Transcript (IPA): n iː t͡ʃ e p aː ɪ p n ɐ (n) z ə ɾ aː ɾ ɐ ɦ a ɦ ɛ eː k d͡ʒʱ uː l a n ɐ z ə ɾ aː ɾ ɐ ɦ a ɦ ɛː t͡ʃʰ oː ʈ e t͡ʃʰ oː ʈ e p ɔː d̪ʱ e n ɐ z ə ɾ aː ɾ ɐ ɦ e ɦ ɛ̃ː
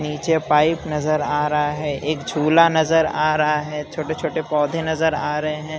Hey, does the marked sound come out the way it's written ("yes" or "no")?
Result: no